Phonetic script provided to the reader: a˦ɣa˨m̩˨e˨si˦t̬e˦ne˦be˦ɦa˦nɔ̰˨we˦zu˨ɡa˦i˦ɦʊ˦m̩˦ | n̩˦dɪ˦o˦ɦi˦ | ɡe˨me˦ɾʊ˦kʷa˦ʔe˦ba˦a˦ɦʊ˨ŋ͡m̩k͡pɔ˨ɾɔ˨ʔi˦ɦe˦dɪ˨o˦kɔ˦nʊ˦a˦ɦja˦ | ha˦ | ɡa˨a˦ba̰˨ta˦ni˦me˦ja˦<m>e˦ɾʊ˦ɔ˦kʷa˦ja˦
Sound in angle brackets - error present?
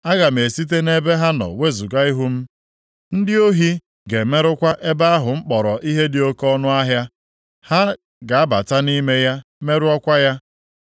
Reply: no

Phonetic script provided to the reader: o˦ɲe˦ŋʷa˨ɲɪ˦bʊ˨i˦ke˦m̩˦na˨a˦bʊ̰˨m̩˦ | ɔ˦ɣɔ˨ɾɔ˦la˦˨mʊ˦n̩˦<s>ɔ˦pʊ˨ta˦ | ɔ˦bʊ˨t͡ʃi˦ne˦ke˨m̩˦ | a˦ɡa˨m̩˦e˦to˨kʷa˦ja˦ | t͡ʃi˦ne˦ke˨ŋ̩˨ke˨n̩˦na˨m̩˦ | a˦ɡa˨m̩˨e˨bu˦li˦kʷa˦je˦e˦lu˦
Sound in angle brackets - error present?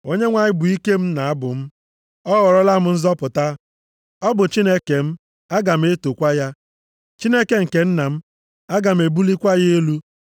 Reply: yes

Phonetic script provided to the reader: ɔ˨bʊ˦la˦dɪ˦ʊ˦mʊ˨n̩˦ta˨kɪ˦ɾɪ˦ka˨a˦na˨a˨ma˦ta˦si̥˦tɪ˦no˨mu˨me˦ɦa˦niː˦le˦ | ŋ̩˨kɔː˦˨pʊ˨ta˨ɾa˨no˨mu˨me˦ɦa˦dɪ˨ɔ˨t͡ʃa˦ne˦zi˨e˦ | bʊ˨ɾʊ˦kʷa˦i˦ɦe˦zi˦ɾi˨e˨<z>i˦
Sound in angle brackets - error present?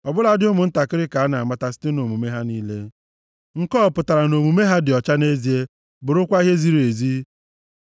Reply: no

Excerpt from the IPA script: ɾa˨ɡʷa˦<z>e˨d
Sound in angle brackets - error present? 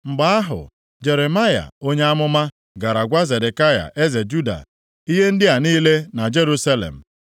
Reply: no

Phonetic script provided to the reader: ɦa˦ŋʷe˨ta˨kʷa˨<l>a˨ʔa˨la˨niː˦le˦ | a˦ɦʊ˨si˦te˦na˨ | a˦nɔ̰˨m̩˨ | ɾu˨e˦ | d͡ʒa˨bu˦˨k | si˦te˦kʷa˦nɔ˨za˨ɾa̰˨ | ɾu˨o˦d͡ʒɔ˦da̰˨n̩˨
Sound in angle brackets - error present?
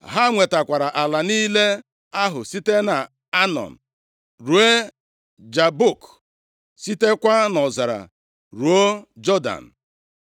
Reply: yes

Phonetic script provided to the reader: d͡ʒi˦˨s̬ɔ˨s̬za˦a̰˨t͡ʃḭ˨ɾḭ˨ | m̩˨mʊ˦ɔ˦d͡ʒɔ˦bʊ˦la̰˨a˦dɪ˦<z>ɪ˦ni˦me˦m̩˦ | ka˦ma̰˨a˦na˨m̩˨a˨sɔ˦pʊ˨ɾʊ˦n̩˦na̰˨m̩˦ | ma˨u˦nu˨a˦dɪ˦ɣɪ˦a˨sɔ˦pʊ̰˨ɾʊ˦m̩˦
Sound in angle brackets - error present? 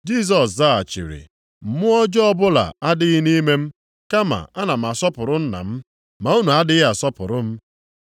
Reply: yes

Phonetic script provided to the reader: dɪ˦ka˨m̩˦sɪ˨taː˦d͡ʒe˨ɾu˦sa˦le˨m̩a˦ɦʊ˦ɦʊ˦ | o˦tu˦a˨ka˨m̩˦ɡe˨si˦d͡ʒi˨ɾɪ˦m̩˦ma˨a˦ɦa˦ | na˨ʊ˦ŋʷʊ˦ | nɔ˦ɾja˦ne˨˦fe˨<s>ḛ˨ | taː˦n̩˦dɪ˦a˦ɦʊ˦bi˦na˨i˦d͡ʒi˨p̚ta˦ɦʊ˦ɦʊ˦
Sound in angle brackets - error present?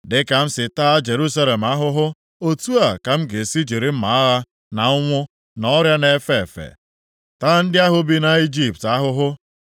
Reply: yes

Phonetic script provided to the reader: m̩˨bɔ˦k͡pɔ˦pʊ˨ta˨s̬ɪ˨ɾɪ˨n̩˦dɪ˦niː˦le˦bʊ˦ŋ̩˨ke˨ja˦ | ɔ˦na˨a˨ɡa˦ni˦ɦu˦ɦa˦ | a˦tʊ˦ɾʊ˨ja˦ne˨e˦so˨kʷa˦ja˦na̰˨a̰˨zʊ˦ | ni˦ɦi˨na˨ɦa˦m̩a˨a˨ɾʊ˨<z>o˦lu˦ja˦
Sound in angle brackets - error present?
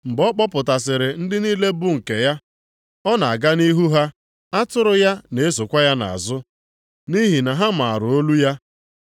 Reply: yes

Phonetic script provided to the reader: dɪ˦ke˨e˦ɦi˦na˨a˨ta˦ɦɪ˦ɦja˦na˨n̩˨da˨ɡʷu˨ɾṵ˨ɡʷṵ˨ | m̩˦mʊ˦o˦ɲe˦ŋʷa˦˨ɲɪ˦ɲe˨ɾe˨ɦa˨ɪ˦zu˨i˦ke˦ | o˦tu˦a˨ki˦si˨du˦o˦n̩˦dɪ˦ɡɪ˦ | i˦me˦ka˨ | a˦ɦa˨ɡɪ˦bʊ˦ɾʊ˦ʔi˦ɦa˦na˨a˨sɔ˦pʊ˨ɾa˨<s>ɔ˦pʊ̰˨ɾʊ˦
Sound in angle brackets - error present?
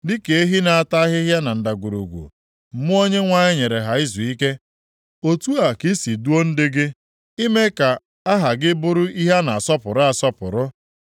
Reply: no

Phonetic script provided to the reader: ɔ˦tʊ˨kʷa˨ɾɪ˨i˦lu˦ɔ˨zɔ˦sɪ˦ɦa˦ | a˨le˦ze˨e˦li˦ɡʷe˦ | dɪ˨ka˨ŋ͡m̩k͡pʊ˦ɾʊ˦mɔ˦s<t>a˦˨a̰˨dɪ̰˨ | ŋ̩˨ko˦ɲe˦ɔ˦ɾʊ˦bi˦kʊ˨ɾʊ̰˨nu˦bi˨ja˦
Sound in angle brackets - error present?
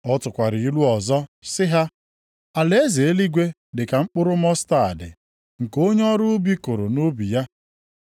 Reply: no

